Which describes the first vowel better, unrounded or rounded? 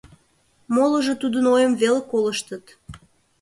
rounded